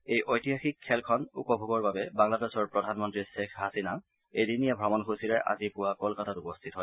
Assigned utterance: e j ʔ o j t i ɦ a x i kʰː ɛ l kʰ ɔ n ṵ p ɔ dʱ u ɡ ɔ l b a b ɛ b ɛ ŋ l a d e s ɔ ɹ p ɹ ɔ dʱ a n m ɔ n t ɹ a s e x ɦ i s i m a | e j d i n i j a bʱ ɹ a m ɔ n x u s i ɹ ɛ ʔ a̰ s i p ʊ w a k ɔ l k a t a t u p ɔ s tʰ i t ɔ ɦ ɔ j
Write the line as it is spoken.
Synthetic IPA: e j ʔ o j t i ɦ a x i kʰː ɛ l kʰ ɔ n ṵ p ɔ bʱ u ɡ ɔ ɹ b a b ɛ b a ŋ l a d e s ɔ ɹ p ɹ ɔ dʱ a n m ɔ n t ɹ i s e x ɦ a s i n a | e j d i n i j a bʱ ɹ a m ɔ n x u s i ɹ ɛ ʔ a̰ z i p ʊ w a k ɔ l k a t a t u p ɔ s tʰ i t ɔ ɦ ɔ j